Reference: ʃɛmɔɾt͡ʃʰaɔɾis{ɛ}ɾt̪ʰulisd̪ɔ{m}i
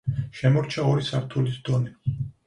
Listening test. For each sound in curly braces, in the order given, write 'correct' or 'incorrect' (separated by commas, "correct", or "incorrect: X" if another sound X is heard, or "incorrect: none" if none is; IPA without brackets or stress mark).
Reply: incorrect: a, incorrect: n